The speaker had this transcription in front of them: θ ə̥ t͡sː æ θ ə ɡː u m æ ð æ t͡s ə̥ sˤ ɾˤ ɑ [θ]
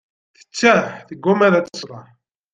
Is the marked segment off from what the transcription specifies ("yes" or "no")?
yes